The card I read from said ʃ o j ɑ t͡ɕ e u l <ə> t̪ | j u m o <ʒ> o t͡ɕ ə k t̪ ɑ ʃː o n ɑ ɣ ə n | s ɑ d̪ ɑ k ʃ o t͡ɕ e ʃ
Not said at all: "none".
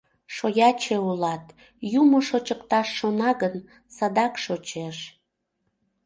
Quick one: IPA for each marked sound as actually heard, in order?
ɑ, ʃ

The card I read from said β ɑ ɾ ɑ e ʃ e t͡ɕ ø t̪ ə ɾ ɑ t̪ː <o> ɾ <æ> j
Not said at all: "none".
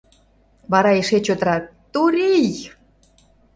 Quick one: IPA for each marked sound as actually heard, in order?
u, i

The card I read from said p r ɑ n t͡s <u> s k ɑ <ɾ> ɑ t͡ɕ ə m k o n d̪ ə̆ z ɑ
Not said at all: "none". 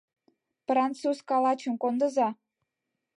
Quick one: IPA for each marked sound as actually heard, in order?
u, l

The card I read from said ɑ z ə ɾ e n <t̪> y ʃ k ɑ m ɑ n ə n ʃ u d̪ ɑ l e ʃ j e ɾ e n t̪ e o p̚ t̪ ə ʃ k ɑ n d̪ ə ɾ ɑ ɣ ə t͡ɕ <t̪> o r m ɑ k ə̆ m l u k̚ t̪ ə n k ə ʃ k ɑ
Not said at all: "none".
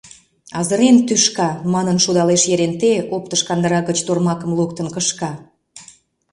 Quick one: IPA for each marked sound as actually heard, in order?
t̪, t̪

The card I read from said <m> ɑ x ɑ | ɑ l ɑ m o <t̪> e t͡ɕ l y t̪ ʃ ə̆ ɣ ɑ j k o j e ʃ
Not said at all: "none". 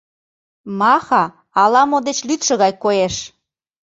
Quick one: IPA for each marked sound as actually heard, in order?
m, d̪

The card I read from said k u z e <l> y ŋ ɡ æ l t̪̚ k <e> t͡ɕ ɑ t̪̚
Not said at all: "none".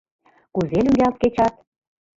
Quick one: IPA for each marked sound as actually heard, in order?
l, e

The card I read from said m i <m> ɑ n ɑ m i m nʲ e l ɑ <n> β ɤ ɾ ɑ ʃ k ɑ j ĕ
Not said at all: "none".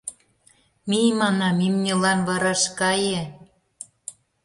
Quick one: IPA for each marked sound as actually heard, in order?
m, n

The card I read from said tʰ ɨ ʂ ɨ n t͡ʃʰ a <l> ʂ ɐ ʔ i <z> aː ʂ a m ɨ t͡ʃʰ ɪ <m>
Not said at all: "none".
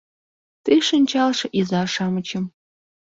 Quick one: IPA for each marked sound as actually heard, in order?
l, z, m

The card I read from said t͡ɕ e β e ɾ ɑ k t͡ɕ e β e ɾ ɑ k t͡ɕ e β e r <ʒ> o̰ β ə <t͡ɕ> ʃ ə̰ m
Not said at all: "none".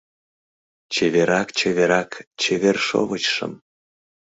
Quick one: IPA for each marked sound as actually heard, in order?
ʃ, t͡ɕ

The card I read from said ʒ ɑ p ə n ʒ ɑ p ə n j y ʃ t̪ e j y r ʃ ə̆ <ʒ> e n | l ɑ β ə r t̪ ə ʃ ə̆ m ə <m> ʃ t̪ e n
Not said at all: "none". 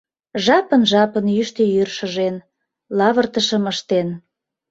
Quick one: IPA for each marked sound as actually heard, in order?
ʒ, none

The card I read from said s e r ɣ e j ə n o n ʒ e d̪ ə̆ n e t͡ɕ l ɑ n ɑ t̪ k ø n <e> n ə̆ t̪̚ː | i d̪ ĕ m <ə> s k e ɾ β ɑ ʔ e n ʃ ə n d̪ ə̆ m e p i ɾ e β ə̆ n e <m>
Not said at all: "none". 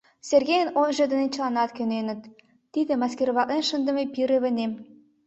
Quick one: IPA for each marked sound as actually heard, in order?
e, ɑ, m

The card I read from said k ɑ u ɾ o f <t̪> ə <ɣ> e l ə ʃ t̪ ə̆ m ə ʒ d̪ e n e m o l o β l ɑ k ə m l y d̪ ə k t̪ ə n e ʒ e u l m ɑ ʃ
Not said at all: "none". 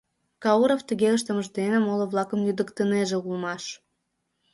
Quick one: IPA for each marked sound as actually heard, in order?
t̪, ɣ

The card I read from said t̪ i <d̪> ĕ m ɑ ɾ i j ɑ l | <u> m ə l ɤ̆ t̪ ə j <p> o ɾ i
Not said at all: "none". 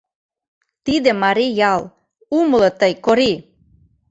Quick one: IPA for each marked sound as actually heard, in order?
d̪, u, k

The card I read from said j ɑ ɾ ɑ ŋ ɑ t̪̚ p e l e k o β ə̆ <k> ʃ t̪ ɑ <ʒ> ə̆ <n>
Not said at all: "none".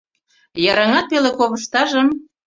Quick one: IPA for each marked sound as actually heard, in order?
none, ʒ, m

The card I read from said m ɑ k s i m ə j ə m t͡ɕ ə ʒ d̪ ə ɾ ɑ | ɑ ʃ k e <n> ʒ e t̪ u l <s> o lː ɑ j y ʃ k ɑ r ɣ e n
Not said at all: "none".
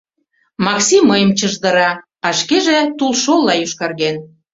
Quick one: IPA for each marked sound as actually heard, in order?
none, ʃ

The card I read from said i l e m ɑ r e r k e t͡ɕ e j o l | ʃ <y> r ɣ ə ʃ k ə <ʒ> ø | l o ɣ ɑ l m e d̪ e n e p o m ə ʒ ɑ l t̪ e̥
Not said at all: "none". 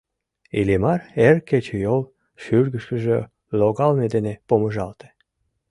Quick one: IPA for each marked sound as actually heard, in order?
y, ʒ

